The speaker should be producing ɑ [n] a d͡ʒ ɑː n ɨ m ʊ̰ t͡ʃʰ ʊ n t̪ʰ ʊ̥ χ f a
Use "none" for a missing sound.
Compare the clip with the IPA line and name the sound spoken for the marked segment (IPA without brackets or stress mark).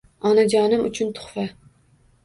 n